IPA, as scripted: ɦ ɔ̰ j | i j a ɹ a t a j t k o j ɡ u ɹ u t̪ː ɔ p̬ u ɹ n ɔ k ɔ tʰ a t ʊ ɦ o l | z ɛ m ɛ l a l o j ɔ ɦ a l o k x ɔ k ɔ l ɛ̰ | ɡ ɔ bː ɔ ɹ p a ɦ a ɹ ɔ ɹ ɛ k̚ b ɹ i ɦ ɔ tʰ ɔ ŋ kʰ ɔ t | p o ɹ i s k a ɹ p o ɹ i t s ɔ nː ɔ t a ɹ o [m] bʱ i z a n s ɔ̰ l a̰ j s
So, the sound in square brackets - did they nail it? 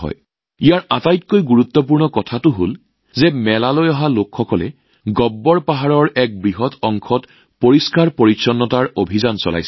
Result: no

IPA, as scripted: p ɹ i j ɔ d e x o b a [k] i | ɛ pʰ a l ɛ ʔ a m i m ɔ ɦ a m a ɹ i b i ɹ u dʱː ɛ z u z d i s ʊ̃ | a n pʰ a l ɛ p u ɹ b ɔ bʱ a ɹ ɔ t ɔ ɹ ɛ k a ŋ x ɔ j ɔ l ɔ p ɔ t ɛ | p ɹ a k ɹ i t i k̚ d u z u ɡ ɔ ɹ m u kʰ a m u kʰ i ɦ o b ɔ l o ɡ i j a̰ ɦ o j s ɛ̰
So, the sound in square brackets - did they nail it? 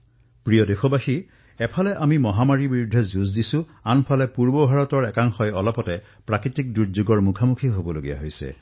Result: no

